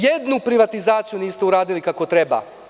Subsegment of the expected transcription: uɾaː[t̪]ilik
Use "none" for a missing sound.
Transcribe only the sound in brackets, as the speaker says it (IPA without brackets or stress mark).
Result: d̪